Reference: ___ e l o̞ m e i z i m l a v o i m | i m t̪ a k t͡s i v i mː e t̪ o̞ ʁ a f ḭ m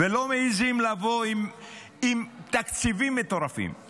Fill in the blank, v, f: v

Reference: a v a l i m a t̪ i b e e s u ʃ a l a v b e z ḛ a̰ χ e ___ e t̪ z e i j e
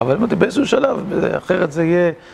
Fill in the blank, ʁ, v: ʁ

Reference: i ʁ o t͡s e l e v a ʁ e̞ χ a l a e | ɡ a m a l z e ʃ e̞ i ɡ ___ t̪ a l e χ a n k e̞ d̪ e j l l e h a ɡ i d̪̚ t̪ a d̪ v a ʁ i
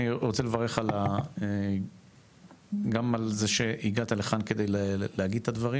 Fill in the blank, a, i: a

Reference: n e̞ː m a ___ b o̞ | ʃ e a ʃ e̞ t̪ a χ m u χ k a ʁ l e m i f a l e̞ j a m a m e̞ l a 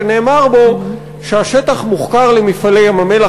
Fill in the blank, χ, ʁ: ʁ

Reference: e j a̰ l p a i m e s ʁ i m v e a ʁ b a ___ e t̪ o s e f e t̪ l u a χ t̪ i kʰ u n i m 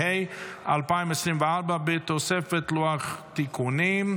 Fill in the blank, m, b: b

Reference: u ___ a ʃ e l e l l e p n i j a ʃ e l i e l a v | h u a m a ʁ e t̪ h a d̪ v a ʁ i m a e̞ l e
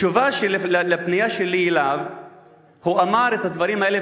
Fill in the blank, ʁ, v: v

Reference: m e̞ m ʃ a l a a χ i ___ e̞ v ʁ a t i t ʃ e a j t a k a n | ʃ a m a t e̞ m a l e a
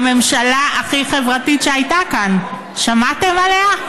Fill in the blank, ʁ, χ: χ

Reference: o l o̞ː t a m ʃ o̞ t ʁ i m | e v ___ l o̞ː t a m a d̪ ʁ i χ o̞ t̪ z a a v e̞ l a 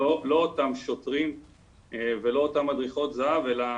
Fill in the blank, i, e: e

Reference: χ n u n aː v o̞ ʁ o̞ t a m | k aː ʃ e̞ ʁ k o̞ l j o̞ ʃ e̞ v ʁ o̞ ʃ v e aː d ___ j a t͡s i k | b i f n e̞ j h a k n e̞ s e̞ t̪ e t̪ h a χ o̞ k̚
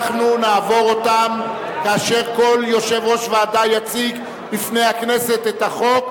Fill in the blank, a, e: a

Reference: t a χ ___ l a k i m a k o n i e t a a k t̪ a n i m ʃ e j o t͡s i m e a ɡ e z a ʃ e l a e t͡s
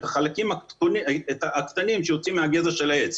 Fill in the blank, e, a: a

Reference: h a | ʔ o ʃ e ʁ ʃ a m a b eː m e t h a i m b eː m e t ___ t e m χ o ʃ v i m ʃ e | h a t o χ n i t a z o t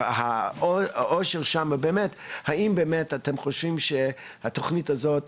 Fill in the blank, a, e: a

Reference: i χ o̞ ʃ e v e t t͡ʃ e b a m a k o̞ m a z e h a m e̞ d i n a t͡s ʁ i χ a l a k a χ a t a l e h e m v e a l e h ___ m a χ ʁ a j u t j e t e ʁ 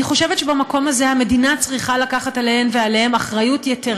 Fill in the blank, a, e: e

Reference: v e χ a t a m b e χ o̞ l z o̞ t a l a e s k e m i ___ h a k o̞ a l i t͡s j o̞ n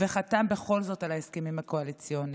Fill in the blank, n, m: m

